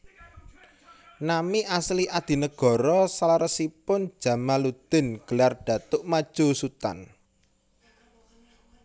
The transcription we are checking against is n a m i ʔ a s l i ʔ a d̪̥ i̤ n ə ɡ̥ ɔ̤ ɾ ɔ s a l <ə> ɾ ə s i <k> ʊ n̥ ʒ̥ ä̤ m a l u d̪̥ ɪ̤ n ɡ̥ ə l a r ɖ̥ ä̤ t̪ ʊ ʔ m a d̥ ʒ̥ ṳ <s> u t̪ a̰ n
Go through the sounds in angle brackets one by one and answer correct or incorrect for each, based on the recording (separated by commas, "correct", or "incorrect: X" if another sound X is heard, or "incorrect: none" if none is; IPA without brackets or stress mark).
incorrect: a, incorrect: p, correct